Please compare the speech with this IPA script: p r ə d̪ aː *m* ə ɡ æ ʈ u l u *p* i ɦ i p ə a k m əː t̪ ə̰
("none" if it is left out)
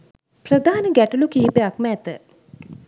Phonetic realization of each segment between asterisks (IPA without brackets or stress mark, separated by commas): n, k